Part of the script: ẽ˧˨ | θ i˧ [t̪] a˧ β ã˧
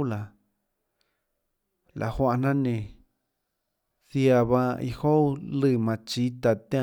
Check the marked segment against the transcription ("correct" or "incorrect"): incorrect